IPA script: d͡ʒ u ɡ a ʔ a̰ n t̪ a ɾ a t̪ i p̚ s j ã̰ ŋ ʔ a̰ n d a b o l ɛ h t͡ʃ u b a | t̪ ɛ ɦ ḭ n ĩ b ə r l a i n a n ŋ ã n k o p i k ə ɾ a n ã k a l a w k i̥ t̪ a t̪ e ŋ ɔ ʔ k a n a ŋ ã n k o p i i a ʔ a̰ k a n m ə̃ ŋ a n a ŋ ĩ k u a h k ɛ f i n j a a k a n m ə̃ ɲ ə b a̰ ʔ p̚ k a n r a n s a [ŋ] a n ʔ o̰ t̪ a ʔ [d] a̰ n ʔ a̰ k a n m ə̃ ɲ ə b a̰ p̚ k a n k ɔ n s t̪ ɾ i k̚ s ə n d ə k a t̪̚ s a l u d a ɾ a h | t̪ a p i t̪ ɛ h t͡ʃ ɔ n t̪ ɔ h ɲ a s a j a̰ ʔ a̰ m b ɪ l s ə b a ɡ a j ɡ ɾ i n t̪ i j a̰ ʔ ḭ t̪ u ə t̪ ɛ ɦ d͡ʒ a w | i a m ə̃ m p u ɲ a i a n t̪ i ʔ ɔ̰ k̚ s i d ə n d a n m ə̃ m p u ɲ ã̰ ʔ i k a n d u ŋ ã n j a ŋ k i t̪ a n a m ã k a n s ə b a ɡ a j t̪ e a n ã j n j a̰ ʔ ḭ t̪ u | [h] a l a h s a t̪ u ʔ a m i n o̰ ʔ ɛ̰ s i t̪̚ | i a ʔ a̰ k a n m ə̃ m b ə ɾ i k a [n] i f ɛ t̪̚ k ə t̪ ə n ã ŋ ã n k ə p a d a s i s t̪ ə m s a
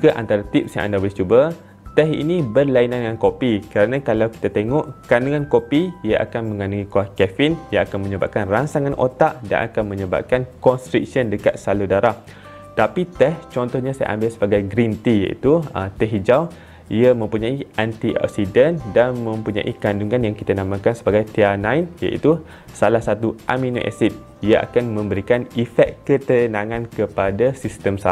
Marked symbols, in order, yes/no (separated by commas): yes, yes, no, yes